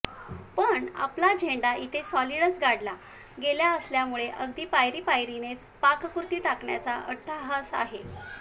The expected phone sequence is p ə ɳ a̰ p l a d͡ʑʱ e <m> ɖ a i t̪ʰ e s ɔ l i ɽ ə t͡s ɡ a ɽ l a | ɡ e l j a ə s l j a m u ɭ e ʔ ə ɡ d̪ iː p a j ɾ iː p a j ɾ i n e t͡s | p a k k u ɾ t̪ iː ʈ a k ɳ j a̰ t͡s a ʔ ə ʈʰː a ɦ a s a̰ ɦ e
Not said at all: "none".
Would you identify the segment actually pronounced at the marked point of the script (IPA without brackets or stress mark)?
ɳ